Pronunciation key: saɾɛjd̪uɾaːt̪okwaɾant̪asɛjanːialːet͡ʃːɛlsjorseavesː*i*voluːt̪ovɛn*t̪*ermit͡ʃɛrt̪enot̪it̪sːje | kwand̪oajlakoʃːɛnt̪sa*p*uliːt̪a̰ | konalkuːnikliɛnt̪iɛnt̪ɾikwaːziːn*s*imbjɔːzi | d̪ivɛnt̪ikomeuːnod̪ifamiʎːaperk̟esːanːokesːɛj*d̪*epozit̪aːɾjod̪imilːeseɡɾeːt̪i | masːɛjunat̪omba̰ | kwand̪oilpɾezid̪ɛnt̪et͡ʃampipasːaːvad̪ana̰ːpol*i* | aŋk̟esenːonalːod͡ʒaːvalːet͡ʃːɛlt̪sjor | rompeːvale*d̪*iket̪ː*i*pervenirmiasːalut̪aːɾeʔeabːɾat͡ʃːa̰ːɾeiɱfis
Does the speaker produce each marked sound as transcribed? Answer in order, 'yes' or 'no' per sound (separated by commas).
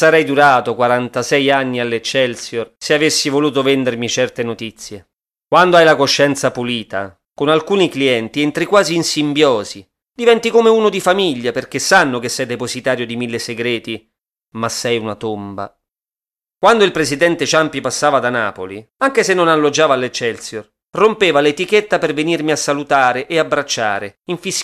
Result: yes, no, yes, yes, yes, yes, no, no